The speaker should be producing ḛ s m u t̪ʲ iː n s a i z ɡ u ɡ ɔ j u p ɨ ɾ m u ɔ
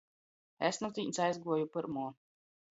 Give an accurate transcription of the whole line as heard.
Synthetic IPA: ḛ s n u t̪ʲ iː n s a j z ɡ u ɔ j u p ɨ ɾ m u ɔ

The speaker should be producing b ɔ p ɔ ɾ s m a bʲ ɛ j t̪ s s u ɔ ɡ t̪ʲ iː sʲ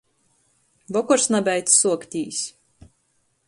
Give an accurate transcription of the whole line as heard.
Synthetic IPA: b ɔ k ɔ ɾ s n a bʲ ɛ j t̪ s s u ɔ k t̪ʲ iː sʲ

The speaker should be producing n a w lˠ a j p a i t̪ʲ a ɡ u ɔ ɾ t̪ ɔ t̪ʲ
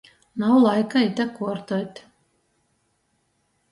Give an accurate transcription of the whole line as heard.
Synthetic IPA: n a w lˠ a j k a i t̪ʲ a k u ɔ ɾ t̪ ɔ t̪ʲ

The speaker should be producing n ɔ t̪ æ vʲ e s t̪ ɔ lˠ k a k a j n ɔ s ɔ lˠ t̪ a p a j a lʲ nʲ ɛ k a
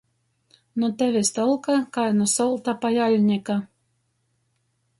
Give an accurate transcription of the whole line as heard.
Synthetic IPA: n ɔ t̪ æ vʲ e s t̪ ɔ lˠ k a k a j n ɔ s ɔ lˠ t̪ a p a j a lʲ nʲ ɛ k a

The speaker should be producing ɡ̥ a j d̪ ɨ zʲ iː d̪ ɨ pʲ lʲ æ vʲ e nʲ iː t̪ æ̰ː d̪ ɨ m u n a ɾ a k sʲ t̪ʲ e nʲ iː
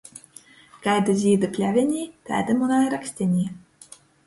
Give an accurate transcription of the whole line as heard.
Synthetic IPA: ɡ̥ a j d̪ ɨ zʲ iː d̪ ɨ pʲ lʲ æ vʲ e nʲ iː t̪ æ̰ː d̪ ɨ m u n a ɾ a k sʲ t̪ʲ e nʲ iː

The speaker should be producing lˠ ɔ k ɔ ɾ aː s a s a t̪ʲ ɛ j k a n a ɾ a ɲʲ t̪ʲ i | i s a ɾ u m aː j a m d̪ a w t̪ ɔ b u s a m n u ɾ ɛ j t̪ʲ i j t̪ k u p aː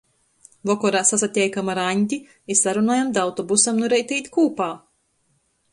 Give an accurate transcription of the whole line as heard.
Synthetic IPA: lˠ ɔ k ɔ ɾ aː s a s a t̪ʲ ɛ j k a m a ɾ a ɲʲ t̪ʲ i | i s a ɾ u n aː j a m d̪ a w t̪ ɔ b u s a m n u ɾ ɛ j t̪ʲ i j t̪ k uː p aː

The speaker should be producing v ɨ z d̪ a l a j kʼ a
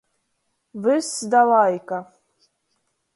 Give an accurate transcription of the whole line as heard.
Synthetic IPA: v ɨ s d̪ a l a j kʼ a

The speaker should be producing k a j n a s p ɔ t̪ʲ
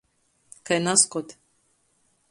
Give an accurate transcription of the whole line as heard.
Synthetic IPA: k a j n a s k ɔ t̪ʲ

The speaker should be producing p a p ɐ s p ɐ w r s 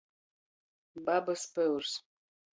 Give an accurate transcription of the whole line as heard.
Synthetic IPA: b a b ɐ s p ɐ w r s

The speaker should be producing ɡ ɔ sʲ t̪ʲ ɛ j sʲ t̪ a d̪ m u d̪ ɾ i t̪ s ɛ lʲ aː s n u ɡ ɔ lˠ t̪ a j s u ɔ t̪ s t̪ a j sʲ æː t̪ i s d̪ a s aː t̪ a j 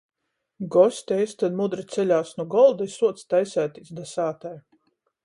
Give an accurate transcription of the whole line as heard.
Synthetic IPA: ɡ ɔ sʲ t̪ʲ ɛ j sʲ t̪ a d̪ m u d̪ ɾ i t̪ s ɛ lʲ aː s n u ɡ ɔ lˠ d̪ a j s u ɔ t̪ s t̪ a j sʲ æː t̪ i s d̪ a s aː t̪ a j

